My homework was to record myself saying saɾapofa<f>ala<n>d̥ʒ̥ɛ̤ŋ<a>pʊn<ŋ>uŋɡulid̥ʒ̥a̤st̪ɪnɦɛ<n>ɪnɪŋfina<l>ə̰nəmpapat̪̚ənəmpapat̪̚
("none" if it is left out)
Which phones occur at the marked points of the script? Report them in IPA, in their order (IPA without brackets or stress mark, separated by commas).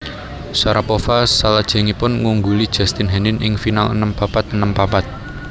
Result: s, none, i, ŋ, n, l